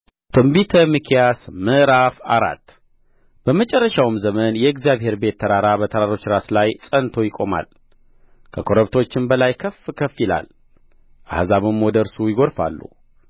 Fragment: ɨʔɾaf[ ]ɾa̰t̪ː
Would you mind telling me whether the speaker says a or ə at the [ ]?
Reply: a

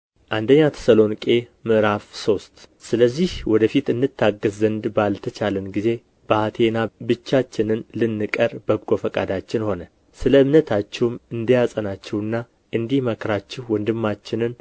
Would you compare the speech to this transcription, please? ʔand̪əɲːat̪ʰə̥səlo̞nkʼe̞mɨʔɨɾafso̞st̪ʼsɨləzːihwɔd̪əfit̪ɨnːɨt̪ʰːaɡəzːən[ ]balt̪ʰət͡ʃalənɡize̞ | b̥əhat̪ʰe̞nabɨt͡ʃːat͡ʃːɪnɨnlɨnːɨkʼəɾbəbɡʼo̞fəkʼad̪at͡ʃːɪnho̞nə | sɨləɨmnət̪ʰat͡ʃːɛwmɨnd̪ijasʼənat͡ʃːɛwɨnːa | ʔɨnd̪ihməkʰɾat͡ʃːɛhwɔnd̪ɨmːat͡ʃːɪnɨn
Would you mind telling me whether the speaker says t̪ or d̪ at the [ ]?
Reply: d̪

